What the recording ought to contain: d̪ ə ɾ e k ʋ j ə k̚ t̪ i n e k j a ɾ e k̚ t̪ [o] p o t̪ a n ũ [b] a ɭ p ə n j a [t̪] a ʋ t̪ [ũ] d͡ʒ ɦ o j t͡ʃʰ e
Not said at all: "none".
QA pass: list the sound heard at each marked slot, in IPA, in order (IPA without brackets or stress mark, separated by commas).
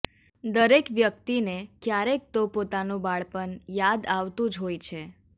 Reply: o, b, d̪, ũ